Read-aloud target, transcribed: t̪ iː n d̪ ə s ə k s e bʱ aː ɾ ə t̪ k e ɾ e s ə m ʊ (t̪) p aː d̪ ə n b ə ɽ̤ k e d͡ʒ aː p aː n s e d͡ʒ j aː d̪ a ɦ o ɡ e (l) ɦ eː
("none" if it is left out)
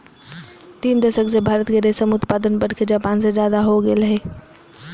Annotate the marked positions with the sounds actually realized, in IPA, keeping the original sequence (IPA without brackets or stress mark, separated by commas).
t̪, l